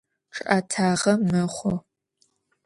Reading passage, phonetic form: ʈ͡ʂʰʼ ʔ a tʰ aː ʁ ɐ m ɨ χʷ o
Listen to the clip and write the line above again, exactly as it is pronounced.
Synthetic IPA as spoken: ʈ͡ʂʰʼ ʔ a tʰ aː ʁ ɐ m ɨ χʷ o